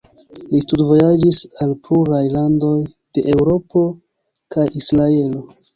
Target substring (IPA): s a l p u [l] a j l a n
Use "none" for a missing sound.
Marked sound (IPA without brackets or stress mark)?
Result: ɾ